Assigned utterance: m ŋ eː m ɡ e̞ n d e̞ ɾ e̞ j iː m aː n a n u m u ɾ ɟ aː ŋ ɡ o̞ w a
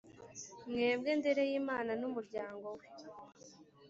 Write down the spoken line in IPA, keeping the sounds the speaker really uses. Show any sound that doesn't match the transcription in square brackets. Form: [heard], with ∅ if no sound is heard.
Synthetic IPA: m ŋ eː m ɡ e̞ n d e̞ ɾ e̞ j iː m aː n a n u m u ɾ ɟ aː ŋ ɡ o̞ w [e]

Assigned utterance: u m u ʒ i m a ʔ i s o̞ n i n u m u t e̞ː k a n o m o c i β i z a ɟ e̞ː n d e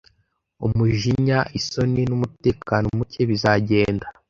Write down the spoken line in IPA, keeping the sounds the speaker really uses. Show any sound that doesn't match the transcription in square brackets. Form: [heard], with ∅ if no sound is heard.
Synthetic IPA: u m u ʒ i [ɲ] a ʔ i s o̞ n i n u m u t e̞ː k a n o m [u] c [e] β i z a ɟ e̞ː n d [a]

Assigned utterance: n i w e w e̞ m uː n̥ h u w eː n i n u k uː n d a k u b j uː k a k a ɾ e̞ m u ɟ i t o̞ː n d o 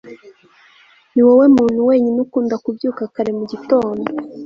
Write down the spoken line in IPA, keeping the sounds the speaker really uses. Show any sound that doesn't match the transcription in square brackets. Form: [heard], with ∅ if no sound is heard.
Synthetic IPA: n i w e w e̞ m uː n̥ h u w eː [ɲ] i n u k uː n d a k u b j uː k a k a ɾ e̞ m u ɟ i t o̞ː n d o

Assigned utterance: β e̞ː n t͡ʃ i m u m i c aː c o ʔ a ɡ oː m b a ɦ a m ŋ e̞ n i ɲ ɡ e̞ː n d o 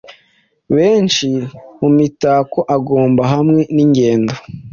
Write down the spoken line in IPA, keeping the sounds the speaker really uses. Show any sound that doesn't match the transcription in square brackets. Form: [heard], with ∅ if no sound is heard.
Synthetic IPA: β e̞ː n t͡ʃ i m u m i [t] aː [k] o ʔ a ɡ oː m b a ɦ a m ŋ e̞ n i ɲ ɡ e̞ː n d o

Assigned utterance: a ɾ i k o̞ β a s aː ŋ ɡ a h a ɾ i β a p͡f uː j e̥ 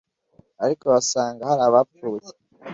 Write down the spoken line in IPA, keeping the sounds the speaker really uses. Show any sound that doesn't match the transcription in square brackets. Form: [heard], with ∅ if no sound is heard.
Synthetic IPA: a ɾ i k o̞ β a s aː ŋ ɡ a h a ɾ [a] β a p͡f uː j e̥

